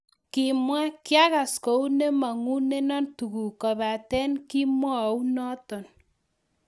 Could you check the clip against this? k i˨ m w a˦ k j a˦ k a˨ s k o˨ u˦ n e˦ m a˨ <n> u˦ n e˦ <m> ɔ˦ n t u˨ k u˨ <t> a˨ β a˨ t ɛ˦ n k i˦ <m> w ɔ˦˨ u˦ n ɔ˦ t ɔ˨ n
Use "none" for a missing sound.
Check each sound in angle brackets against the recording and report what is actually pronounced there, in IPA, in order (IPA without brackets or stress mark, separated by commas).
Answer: ŋ, n, k, m